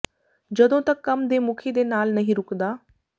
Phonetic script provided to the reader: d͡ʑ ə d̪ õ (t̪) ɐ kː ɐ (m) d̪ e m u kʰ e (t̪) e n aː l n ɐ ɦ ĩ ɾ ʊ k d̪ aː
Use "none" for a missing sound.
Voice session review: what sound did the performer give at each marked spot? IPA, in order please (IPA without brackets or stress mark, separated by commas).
t̪, m, d̪